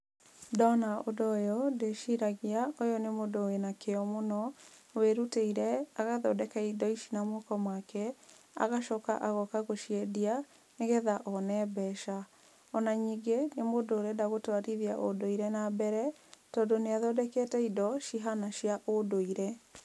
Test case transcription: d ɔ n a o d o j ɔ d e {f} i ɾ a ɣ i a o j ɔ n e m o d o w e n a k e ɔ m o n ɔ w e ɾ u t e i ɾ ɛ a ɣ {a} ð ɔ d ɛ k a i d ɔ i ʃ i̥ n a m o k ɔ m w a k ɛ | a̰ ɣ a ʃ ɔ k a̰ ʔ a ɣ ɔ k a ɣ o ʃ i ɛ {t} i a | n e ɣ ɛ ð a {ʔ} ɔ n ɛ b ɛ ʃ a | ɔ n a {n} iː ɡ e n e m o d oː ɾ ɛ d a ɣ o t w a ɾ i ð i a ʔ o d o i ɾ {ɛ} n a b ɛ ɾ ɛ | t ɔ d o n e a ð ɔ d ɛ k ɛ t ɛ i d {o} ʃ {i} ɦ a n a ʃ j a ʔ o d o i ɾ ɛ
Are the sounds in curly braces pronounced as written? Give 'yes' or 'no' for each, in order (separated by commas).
no, yes, no, yes, no, yes, no, yes